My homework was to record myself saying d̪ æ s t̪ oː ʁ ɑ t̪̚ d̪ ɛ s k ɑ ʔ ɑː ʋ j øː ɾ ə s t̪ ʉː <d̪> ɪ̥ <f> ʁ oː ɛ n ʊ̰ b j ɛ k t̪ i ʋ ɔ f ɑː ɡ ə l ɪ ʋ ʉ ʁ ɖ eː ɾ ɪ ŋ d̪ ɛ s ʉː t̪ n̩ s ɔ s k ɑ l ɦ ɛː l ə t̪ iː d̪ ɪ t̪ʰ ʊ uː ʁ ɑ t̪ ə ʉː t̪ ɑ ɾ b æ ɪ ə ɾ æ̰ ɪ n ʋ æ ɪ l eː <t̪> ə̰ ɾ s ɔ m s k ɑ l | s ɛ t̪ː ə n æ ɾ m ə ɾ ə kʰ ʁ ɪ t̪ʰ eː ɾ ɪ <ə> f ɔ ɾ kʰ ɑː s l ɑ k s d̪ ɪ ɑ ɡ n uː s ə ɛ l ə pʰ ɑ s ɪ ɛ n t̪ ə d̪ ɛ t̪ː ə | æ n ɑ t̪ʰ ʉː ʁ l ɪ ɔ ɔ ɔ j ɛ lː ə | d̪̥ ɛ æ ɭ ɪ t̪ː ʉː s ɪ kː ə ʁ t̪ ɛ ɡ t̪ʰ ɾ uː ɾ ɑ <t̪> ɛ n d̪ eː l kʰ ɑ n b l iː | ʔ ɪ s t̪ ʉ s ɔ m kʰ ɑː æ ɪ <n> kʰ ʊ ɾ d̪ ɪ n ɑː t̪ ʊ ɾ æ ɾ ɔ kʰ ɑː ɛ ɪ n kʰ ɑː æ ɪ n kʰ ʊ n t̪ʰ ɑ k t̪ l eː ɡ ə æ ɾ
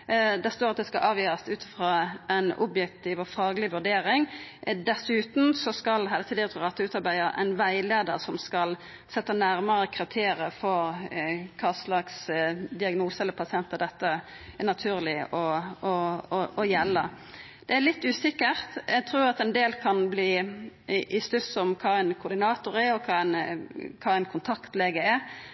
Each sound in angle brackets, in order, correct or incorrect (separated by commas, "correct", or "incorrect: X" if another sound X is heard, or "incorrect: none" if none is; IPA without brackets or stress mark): incorrect: t̪, correct, incorrect: d̪, correct, correct, correct